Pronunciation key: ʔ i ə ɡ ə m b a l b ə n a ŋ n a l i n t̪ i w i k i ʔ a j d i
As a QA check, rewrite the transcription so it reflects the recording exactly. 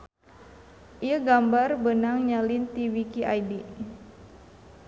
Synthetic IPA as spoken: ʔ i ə ɡ a m b a r b ə n a ŋ ɲ a l i n t̪ i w i k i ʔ a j d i